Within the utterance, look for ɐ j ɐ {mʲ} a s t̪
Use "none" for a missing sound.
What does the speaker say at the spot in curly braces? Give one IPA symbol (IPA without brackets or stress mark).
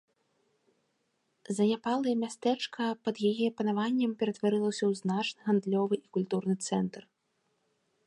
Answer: mʲ